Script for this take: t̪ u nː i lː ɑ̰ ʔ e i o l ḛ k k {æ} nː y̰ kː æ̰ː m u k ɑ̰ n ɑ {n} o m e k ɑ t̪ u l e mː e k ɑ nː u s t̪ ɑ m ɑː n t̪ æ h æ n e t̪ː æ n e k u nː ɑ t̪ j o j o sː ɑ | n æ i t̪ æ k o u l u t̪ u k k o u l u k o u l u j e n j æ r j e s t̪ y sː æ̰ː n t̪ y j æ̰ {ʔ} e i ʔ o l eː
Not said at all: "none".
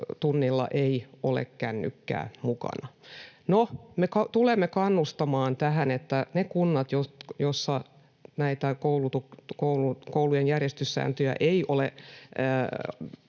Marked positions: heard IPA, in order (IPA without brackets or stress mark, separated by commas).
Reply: æ, n, ʔ